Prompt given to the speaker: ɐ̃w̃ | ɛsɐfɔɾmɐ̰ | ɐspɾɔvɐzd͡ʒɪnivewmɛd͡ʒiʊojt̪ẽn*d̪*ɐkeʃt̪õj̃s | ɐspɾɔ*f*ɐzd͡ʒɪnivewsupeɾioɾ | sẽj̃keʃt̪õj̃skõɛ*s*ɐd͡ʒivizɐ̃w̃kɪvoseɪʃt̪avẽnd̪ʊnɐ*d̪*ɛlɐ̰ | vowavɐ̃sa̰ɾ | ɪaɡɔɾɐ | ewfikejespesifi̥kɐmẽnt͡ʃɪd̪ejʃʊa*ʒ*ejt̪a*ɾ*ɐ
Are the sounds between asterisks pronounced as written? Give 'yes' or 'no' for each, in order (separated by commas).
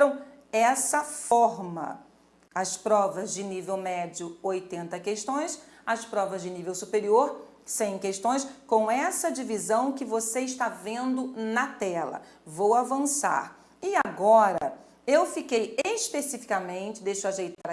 no, no, yes, no, yes, yes